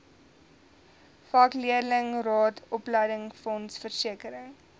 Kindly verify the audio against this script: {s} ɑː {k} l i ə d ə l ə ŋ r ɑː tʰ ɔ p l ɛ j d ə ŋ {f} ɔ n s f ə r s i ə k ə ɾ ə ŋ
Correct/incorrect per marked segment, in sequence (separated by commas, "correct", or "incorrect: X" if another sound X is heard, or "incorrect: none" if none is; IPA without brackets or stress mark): incorrect: f, correct, correct